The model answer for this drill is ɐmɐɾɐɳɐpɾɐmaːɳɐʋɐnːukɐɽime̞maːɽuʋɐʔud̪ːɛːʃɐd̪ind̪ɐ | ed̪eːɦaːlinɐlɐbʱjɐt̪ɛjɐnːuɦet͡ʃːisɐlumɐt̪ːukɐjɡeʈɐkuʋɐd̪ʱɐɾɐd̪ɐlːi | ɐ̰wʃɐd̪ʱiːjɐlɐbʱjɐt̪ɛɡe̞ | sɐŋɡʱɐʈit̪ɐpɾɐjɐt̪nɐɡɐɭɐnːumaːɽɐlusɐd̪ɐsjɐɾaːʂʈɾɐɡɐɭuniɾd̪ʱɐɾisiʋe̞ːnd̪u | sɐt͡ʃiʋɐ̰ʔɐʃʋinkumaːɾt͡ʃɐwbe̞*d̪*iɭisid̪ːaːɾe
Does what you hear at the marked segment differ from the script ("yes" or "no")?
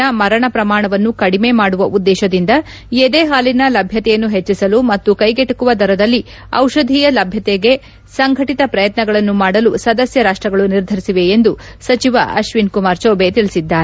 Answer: yes